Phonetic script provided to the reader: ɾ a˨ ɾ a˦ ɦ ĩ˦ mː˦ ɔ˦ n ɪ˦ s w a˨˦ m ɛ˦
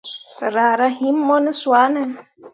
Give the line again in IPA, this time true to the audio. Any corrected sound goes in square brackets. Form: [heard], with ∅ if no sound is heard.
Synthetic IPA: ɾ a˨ ɾ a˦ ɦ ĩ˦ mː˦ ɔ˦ n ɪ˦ s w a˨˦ [n] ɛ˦